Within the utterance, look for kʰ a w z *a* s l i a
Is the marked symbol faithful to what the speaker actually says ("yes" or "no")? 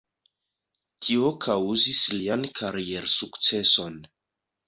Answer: no